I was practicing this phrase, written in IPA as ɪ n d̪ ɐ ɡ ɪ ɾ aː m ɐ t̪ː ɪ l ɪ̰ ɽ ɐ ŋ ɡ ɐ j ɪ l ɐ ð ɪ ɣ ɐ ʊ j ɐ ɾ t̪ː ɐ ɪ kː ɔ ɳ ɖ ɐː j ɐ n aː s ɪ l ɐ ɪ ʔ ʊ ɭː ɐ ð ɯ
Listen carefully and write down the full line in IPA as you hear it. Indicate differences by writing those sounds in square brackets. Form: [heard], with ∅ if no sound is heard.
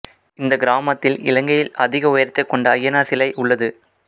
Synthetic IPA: ɪ n d̪ ɐ ɡ ɪ ɾ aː m ɐ t̪ː ɪ l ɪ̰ [l] ɐ ŋ ɡ ɐ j ɪ l ɐ ð ɪ ɣ ɐ ʊ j ɐ ɾ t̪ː ɐ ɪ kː ɔ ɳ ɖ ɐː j ɐ n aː s ɪ l ɐ ɪ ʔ ʊ ɭː ɐ ð ɯ